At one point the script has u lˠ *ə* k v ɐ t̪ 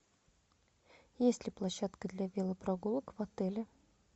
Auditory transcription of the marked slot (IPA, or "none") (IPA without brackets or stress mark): ə